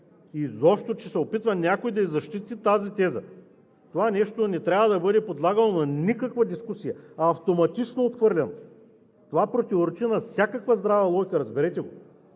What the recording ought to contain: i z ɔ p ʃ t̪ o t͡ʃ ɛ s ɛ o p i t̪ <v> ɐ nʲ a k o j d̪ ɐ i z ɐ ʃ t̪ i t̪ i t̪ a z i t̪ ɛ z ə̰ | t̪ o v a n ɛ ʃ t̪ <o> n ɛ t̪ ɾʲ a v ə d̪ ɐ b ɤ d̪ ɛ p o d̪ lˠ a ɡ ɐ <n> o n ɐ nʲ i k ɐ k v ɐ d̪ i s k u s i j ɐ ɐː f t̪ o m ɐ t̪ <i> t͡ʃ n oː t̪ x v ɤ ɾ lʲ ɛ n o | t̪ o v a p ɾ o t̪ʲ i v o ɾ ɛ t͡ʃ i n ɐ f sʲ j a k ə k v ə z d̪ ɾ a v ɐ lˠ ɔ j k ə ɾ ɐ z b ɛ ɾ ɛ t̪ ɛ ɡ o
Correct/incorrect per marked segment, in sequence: correct, correct, correct, correct

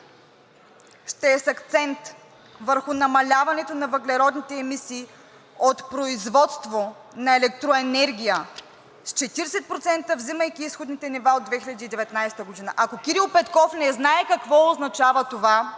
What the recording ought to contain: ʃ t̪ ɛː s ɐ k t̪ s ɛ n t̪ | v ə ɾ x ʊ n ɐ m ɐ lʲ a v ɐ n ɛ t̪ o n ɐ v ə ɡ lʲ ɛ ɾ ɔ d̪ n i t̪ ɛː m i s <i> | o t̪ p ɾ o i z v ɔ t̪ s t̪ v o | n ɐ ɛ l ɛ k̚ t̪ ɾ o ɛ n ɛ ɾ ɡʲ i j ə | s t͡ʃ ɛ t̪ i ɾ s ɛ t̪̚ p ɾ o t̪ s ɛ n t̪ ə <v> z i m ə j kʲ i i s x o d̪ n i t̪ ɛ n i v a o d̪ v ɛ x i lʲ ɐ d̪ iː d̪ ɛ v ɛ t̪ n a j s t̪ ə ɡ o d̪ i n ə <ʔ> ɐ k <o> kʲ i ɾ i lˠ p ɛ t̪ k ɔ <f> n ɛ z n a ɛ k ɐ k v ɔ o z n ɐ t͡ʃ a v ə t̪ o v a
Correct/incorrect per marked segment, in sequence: incorrect: iː, correct, correct, correct, correct

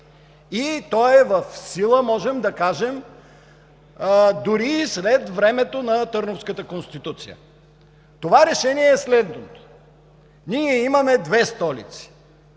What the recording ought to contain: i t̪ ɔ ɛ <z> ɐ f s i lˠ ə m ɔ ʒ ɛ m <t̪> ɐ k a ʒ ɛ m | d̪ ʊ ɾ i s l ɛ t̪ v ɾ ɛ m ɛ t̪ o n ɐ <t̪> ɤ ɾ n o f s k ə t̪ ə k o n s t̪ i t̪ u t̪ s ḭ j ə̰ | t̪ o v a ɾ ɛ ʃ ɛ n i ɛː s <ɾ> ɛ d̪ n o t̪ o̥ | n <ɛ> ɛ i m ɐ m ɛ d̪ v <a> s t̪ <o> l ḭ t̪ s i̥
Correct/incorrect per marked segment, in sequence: incorrect: v, incorrect: d̪, correct, incorrect: l, incorrect: i, incorrect: ɛ, incorrect: ɔ

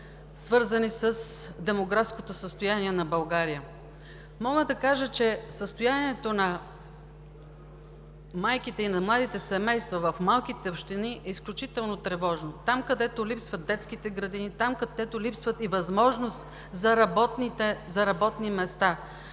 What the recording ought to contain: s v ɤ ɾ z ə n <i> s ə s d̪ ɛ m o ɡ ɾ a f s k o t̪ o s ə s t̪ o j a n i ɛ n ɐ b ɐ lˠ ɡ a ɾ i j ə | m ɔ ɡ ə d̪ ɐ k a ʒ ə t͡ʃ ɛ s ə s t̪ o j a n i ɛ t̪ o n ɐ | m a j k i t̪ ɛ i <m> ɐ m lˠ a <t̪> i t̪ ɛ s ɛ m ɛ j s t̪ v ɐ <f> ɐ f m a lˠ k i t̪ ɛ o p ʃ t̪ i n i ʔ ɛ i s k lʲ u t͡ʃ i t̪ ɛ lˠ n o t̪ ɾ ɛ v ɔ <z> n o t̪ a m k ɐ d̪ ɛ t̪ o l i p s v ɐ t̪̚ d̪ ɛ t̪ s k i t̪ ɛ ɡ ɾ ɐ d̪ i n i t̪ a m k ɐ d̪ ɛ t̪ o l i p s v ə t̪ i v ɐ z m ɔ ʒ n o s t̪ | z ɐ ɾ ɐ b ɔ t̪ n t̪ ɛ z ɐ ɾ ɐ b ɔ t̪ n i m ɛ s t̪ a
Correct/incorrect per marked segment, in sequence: correct, incorrect: n, incorrect: d̪, incorrect: v, incorrect: ʒ

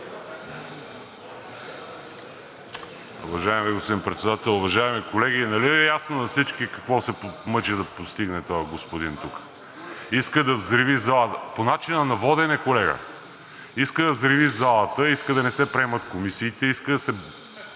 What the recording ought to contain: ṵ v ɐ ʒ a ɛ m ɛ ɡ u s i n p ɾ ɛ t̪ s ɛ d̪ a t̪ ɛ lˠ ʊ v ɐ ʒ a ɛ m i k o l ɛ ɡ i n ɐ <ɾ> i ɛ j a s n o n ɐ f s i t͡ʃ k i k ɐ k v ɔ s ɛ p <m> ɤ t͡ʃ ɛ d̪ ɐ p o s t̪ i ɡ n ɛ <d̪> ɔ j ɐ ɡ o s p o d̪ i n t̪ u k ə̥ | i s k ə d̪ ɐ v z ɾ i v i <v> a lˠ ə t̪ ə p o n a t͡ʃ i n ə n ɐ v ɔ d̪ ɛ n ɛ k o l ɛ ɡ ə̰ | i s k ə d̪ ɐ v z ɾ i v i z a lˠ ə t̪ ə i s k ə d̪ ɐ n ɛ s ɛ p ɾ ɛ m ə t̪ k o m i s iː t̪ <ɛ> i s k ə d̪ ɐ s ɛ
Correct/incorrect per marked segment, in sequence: incorrect: l, correct, incorrect: t̪, incorrect: z, correct

